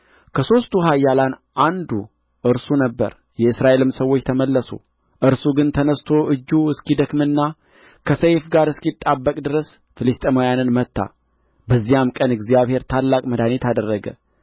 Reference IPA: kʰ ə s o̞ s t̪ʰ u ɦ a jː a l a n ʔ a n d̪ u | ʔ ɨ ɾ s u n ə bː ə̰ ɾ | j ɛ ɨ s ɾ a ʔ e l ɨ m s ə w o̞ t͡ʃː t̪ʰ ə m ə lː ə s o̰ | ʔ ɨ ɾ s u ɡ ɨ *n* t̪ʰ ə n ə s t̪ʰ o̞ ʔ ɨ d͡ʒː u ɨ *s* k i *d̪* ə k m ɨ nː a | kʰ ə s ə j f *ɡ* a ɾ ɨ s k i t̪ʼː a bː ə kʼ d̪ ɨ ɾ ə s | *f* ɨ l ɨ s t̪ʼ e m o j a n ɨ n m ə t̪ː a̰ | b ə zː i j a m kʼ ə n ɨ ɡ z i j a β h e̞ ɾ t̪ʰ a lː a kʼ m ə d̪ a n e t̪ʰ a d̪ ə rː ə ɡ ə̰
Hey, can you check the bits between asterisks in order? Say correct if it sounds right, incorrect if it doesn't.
correct, correct, correct, correct, correct

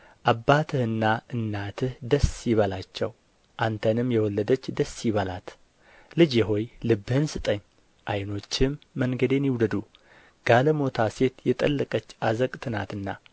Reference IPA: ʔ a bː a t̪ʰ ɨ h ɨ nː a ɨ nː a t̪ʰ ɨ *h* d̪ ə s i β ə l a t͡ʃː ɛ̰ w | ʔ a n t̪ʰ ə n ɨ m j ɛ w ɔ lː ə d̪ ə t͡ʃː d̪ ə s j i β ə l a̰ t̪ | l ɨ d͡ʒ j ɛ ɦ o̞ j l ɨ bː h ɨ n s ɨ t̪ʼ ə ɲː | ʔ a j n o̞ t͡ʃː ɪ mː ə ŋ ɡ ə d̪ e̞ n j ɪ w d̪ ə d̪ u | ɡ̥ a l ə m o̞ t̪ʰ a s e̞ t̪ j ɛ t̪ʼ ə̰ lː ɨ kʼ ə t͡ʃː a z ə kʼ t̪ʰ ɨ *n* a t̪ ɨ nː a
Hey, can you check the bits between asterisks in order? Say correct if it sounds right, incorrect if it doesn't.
correct, correct

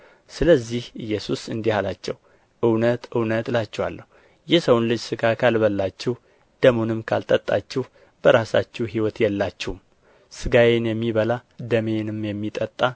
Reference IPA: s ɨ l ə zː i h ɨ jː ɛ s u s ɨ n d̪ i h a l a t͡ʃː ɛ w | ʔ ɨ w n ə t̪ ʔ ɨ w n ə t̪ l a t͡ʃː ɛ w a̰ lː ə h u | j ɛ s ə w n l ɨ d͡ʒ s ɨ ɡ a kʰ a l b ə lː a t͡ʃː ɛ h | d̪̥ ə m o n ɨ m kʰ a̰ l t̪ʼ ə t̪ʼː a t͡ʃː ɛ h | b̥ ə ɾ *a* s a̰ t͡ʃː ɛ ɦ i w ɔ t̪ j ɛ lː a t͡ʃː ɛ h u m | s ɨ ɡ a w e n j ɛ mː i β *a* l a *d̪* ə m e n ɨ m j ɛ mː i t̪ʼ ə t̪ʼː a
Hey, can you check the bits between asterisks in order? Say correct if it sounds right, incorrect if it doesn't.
correct, incorrect, correct

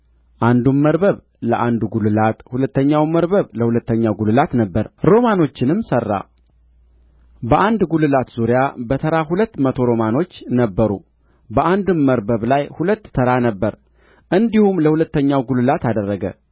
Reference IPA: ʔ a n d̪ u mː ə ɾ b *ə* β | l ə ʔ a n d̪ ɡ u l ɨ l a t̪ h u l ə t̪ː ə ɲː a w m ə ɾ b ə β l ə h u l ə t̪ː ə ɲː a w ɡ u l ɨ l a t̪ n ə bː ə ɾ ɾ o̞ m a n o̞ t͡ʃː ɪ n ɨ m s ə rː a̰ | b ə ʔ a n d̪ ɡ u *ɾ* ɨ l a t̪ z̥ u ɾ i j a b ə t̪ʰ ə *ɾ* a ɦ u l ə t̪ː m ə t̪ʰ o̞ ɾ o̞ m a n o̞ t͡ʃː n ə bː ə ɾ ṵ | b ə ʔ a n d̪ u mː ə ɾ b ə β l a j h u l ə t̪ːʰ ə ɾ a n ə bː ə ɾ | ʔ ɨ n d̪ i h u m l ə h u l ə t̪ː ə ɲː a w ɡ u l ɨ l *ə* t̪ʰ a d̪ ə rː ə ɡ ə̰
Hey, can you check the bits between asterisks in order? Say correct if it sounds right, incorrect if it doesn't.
correct, incorrect, correct, incorrect

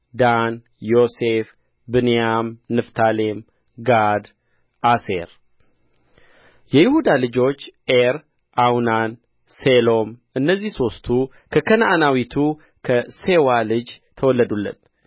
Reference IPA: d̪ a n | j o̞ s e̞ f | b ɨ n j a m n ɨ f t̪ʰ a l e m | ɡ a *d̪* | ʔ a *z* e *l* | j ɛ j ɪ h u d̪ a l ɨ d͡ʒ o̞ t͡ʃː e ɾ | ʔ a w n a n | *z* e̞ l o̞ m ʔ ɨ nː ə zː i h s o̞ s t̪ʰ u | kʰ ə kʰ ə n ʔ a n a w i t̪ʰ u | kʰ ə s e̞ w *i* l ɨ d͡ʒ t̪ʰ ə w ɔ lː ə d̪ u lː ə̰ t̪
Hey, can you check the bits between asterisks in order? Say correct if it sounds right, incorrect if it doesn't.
correct, incorrect, incorrect, incorrect, incorrect

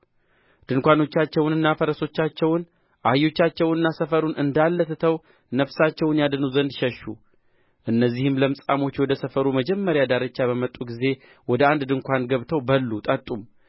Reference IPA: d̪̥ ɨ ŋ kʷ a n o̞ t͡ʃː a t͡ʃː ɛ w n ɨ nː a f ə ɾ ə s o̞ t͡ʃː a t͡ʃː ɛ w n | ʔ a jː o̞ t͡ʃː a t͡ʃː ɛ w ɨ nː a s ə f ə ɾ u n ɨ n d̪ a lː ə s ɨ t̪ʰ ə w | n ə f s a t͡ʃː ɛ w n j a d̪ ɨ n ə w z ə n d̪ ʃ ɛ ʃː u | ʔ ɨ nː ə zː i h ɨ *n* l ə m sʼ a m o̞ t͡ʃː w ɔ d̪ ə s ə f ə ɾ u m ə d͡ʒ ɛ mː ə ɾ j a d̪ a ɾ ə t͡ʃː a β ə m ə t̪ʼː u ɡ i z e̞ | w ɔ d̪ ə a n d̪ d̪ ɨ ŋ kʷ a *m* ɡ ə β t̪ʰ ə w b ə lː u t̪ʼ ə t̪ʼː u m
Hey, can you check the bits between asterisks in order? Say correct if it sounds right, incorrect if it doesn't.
incorrect, incorrect

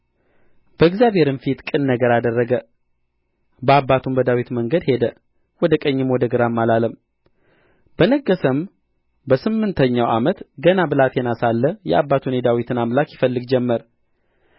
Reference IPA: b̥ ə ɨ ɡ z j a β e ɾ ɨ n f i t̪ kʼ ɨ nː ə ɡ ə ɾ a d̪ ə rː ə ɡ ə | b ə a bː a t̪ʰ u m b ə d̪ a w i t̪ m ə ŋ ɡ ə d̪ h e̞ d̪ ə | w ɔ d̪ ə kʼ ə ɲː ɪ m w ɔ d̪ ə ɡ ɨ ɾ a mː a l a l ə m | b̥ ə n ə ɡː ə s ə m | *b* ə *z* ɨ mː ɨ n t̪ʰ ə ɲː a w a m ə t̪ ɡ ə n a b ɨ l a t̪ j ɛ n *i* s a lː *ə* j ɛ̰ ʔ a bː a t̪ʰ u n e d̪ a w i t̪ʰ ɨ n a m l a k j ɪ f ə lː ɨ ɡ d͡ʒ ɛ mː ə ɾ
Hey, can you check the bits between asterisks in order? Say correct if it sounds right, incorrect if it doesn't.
correct, incorrect, incorrect, correct

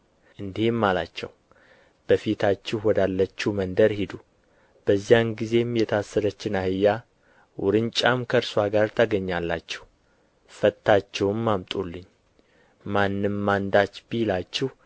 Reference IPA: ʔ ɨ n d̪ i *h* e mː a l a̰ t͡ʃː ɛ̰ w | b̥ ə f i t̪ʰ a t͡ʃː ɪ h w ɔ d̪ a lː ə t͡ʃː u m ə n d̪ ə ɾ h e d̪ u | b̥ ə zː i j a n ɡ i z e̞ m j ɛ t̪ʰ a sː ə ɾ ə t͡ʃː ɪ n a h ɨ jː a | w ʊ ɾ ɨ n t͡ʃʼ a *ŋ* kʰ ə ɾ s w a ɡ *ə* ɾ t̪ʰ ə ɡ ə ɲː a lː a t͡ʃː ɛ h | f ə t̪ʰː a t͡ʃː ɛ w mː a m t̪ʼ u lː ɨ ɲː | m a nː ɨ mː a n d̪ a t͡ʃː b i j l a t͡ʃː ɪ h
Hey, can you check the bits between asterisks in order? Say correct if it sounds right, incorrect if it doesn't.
correct, incorrect, incorrect

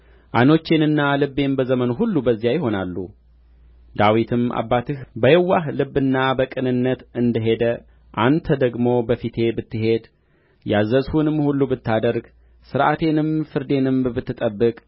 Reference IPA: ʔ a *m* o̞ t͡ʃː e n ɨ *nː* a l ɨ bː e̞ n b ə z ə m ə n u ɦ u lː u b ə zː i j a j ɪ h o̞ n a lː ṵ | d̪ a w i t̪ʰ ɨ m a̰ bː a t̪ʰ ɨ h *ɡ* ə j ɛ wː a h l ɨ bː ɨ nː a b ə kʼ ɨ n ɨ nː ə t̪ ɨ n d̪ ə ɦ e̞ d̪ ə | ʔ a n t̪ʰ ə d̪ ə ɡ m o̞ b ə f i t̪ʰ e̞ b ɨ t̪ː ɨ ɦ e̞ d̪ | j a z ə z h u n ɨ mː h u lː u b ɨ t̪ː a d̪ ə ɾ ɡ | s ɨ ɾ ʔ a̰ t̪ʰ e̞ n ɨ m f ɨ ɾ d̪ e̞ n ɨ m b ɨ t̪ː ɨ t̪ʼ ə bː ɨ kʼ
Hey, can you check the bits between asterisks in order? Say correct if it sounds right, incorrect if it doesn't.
incorrect, correct, incorrect

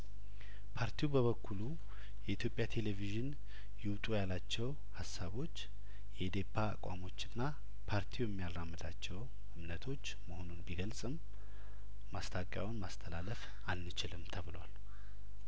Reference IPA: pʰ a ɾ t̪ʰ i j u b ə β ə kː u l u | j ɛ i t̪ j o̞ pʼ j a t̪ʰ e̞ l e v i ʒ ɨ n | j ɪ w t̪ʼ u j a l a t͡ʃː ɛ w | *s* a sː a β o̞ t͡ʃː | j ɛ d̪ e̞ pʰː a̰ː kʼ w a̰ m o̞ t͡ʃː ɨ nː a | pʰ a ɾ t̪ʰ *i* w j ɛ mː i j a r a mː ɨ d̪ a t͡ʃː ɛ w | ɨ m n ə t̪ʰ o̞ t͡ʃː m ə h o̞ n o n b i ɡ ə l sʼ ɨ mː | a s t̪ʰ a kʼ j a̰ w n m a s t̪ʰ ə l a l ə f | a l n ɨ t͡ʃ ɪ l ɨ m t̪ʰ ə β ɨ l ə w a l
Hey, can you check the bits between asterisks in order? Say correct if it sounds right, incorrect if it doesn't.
incorrect, correct

